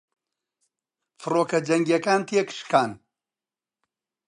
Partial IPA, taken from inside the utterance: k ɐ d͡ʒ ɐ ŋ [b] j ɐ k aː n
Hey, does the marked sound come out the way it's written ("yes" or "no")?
no